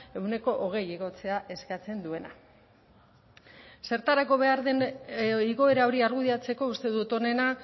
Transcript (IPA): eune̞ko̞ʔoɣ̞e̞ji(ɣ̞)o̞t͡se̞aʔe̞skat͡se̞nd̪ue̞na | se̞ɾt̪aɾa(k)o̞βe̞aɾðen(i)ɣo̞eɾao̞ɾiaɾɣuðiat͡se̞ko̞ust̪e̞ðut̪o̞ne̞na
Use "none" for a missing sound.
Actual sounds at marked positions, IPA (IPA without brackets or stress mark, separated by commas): ɣ̞, k, i